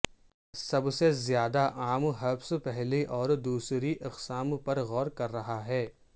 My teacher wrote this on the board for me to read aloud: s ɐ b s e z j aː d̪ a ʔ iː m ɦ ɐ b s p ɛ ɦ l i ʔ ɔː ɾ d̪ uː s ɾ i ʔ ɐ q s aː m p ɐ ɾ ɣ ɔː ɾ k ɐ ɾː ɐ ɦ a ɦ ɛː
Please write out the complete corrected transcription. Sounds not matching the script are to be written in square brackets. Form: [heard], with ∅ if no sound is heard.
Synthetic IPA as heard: s ɐ b s e z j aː d̪ a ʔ [aː] m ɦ ɐ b s p ɛ ɦ l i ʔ ɔː ɾ d̪ uː s ɾ i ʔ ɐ q s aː m p ɐ ɾ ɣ ɔː ɾ k ɐ ɾː ɐ ɦ a ɦ ɛː